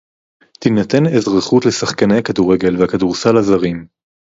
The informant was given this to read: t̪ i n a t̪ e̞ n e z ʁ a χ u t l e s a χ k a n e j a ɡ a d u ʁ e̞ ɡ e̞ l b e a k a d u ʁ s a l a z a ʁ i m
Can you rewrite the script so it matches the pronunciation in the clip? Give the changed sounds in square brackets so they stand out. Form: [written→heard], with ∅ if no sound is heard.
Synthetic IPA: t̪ i n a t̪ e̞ n e z ʁ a χ u t l e s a χ k a n e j a [ɡ→k] a d u ʁ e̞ ɡ e̞ l [b→v] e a k a d u ʁ s a l a z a ʁ i m